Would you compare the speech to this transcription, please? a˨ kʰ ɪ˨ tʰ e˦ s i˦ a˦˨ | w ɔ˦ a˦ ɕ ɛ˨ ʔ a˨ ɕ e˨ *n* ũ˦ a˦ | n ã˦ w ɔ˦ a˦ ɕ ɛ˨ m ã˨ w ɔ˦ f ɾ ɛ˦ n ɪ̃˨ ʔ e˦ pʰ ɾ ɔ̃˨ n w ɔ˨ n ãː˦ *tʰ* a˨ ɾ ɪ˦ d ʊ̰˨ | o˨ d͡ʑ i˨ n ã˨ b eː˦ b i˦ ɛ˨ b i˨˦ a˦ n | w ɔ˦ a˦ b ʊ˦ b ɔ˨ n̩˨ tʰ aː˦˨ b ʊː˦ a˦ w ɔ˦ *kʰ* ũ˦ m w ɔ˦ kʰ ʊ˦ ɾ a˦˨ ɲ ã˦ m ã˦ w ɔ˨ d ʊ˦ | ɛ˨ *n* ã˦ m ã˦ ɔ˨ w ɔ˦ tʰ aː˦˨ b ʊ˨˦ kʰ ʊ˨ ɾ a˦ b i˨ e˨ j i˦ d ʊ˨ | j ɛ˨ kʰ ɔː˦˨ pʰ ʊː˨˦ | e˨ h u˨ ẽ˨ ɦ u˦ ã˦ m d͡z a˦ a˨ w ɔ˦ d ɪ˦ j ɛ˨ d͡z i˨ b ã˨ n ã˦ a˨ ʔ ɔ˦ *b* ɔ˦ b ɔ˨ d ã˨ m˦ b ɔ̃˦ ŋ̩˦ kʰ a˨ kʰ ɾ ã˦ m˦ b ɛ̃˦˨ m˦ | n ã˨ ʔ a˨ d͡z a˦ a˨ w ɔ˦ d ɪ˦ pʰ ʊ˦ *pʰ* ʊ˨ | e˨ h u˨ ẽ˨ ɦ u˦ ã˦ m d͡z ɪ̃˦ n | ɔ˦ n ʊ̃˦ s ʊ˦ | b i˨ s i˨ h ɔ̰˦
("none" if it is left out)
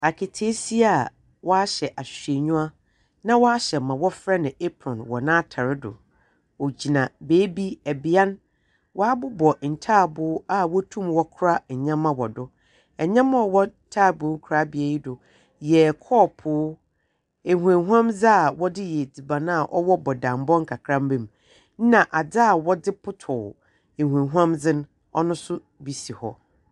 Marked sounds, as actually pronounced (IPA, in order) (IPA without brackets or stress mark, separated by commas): ɲ, tʰ, tʰ, ɲ, w, tʰ